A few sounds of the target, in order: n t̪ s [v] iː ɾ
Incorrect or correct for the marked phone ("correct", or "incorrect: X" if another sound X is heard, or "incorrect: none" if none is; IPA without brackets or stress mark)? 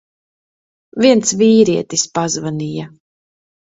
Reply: correct